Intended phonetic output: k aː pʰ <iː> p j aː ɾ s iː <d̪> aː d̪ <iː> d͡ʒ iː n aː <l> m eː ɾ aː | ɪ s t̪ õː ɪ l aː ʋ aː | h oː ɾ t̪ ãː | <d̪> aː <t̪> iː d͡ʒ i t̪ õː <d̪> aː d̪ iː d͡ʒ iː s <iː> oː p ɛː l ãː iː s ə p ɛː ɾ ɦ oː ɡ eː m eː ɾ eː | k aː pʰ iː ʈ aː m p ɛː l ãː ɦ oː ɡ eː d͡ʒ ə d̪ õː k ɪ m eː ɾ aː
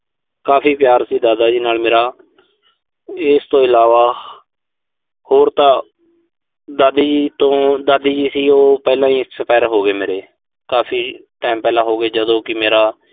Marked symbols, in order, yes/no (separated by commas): yes, yes, no, yes, yes, no, yes, yes